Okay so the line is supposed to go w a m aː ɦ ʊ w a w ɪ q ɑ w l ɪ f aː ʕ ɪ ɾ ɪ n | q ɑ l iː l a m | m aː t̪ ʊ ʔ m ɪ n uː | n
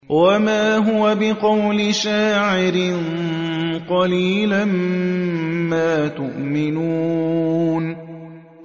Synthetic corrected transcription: w a m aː ɦ ʊ w a b ɪ q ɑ w l ɪ ʃ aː ʕ ɪ ɾ ɪ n | q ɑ l iː l a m | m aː t̪ ʊ ʔ m ɪ n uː | n